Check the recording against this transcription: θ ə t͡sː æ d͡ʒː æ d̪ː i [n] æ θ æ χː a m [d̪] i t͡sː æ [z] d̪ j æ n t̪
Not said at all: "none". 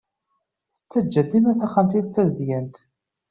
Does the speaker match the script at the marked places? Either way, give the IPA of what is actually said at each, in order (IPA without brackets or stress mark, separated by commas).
m, t̪, z